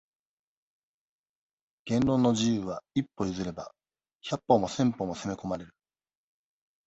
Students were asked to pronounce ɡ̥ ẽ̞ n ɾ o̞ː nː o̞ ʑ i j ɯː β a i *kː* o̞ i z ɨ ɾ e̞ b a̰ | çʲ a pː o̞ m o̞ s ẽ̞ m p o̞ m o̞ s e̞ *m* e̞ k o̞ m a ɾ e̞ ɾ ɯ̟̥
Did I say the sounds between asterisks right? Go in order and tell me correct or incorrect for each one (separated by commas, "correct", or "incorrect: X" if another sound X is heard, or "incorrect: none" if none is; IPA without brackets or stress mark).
incorrect: pː, correct